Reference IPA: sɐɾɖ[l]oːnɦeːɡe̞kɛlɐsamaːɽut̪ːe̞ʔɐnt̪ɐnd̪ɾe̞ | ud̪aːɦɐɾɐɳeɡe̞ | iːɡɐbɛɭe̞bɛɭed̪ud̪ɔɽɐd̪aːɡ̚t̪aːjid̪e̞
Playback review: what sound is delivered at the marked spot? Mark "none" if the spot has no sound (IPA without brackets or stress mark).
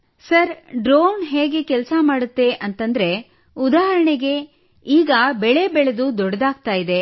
ɾ